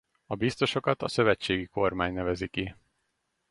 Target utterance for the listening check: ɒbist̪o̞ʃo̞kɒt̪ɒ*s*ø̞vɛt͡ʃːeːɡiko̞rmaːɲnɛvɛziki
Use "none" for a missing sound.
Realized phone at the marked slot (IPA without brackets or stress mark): s